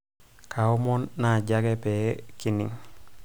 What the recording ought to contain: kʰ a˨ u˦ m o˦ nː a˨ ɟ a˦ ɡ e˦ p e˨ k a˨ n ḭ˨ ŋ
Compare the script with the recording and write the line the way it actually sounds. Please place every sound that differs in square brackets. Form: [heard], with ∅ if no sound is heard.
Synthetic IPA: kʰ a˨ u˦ m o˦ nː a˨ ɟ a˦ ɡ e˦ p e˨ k [i˨] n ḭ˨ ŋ